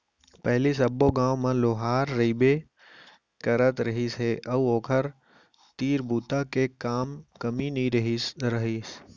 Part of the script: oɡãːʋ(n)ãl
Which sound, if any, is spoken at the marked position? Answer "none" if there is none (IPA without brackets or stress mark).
m